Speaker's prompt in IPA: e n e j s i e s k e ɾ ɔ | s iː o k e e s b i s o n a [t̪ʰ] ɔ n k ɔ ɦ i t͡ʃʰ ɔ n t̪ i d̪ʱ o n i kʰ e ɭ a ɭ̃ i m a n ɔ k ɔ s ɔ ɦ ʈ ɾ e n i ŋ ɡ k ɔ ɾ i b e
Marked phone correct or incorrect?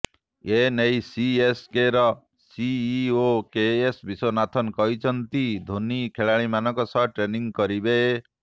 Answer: correct